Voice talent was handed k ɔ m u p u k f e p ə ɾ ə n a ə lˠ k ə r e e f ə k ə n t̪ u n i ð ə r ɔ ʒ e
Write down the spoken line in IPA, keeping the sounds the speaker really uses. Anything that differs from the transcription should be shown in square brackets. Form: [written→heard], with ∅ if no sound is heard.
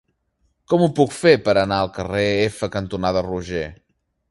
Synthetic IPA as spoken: k ɔ m u p u k f e p ə ɾ ə n a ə lˠ k ə r e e f ə k ə n t̪ u n [i→a] ð ə r [ɔ→u] ʒ e